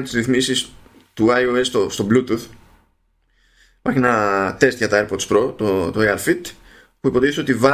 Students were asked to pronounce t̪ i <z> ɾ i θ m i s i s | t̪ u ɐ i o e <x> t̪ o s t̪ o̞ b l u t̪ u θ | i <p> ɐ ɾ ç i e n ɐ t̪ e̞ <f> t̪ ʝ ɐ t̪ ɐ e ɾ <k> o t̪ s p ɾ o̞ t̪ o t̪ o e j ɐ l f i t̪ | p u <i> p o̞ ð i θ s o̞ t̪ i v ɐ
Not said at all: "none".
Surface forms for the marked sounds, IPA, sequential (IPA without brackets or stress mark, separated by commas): z, s, p, s, p, i